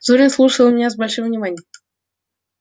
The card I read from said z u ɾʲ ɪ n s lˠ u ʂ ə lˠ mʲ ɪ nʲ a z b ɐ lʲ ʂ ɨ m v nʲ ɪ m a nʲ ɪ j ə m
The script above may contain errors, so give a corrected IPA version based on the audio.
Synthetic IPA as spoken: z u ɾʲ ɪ n s lˠ u ʂ ə lˠ mʲ ɪ nʲ a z b ɐ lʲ ʂ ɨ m v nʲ ɪ m a nʲ ɪ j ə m